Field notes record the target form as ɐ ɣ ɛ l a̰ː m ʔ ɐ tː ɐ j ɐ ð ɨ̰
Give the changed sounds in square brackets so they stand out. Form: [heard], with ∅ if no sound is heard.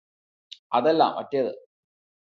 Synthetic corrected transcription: ɐ [ð] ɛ [lː] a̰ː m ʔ ɐ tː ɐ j ɐ ð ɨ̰